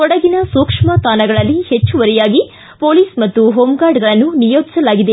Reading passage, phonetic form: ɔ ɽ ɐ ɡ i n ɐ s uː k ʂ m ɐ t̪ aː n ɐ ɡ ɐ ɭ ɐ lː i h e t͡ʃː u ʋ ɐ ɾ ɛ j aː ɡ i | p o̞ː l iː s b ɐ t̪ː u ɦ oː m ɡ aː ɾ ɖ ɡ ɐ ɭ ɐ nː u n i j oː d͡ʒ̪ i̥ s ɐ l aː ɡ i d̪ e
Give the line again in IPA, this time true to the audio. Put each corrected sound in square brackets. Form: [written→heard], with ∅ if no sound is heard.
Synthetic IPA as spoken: ɔ ɽ ɐ ɡ i n ɐ s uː k ʂ m ɐ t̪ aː n ɐ ɡ ɐ ɭ ɐ lː i h e t͡ʃː u ʋ ɐ ɾ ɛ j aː ɡ i | p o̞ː l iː s [b→m] ɐ t̪ː u ɦ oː m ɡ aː ɾ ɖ ɡ ɐ ɭ ɐ nː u n i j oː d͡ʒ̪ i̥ s ɐ l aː ɡ i d̪ e